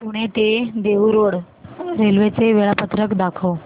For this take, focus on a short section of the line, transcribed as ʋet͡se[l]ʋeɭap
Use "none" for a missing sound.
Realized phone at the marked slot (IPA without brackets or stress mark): none